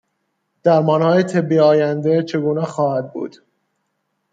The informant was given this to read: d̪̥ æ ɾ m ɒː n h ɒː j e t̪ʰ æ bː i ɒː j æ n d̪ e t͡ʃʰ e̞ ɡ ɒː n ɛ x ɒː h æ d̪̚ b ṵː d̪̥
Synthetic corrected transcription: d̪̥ æ ɾ m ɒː n h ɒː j e t̪ʰ e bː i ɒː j æ n d̪ e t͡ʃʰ e̞ ɡ uː n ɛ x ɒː h æ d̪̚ b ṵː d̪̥